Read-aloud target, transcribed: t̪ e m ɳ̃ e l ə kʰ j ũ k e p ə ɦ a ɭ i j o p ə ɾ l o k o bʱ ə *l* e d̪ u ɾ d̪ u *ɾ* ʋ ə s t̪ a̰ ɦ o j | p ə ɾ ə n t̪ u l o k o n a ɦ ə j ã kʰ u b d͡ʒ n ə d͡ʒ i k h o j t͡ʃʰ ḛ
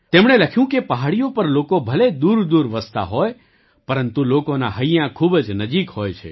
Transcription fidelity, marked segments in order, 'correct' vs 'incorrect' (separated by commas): correct, correct